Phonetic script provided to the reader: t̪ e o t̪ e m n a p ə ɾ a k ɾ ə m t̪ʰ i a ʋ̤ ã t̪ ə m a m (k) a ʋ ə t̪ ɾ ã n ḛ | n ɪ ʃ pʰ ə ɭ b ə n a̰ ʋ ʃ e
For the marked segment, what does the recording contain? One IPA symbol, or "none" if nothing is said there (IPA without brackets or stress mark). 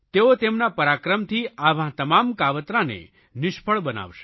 k